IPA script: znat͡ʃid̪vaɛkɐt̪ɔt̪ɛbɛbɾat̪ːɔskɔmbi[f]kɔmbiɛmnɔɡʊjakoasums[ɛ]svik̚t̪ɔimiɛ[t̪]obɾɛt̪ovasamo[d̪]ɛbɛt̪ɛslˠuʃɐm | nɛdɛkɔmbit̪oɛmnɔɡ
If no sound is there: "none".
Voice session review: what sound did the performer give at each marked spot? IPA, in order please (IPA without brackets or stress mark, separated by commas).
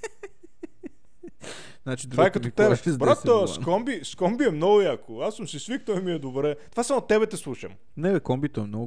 s, i, d̪, t̪